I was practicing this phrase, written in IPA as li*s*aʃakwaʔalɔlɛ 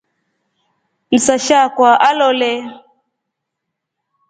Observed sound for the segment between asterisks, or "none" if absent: s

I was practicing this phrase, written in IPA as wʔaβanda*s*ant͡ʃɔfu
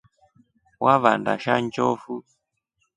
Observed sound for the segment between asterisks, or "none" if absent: ʃ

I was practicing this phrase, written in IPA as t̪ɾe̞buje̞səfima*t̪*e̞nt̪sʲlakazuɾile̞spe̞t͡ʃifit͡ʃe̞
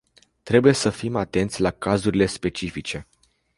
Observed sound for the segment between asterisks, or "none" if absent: t̪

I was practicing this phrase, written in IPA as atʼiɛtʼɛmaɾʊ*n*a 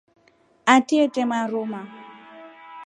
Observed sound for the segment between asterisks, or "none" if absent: m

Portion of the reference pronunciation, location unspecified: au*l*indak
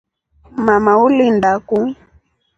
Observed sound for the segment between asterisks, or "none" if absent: l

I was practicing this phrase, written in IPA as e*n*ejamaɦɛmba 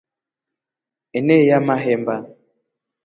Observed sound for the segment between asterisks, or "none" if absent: n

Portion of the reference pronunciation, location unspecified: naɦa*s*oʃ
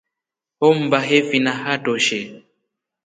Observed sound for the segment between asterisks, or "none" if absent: t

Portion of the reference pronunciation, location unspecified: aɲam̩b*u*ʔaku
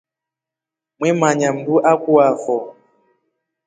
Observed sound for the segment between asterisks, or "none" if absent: u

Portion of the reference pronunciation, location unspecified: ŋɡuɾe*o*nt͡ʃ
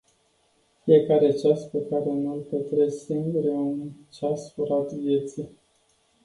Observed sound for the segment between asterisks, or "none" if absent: u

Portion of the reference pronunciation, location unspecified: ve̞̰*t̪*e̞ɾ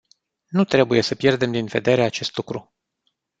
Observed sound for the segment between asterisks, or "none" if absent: d̪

